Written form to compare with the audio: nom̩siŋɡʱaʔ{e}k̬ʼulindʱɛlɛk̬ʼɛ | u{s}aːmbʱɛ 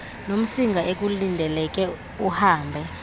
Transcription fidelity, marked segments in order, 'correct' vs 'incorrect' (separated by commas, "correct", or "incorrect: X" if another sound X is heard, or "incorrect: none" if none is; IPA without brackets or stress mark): correct, incorrect: h